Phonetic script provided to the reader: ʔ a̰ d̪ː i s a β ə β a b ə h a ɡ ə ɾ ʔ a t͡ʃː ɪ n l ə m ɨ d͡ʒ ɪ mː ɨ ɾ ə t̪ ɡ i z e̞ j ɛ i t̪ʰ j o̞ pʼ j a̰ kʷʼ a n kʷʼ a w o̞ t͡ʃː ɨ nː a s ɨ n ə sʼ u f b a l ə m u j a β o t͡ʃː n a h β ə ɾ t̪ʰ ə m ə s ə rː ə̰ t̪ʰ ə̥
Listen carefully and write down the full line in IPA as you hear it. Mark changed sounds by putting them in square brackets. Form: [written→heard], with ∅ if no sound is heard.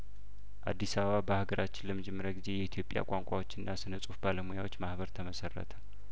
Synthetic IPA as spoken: ʔ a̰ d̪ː i s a β ə β a b ə h a ɡ ə ɾ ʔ a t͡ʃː ɪ n l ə m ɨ d͡ʒ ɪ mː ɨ ɾ ə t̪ ɡ i z e̞ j ɛ i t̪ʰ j o̞ pʼ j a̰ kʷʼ a [n→ŋ] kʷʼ a w o̞ t͡ʃː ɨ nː a s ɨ n ə sʼ u f b a l ə m u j a [β→w] o t͡ʃː [n→m] a h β ə ɾ t̪ʰ ə m ə s ə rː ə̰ t̪ʰ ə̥